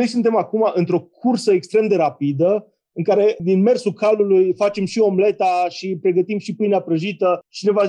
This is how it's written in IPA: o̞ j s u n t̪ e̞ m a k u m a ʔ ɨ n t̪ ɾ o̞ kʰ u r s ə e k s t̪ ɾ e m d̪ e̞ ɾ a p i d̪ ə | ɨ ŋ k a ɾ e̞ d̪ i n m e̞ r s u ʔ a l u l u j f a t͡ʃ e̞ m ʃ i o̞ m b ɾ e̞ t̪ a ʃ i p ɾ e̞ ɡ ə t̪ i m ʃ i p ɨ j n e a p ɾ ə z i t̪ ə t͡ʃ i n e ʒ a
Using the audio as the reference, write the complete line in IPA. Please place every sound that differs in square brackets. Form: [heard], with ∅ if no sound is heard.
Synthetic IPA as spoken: o̞ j s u n t̪ e̞ m a k u m a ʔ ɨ n t̪ ɾ o̞ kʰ u r s ə e k s t̪ ɾ e m d̪ e̞ ɾ a p i d̪ ə | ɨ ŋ k a ɾ e̞ d̪ i n m e̞ r s u [k] a l u l u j f a t͡ʃ e̞ m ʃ i o̞ m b [l] e̞ t̪ a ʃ i p ɾ e̞ ɡ ə t̪ i m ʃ i p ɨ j n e a p ɾ ə [ʒ] i t̪ ə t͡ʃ i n e [v] a